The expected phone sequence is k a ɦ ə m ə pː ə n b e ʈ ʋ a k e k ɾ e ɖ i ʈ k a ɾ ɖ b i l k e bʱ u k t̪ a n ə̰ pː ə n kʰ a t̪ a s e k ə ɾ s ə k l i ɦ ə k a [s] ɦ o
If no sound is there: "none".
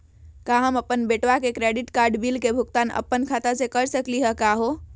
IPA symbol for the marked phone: none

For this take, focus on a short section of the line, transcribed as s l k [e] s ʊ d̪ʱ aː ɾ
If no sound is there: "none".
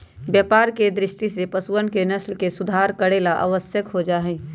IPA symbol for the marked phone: e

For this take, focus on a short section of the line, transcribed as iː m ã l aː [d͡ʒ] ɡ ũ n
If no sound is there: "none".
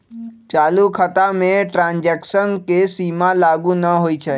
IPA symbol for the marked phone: none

